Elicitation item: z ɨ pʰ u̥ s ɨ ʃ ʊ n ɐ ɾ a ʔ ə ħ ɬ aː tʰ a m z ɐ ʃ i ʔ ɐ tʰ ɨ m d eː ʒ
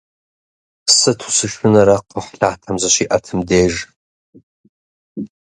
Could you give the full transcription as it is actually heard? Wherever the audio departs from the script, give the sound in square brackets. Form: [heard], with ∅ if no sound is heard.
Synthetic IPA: [s] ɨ [tʰ] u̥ s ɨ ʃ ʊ n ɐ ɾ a [q] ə ħ ɬ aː tʰ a m z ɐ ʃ i ʔ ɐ tʰ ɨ m d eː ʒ